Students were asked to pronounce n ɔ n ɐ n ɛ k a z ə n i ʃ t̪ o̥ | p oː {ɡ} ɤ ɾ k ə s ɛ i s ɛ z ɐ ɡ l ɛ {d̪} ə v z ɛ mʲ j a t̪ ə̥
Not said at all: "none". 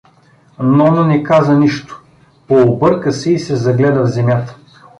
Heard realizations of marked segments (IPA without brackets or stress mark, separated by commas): b, d̪